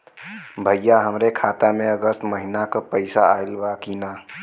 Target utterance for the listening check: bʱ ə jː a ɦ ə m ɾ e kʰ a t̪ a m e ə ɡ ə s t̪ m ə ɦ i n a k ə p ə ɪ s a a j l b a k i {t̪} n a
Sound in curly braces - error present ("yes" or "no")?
yes